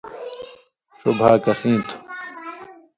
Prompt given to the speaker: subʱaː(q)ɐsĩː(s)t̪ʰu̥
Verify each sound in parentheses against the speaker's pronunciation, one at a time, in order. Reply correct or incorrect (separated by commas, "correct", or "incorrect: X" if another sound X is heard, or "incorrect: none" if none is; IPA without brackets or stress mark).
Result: incorrect: k, incorrect: none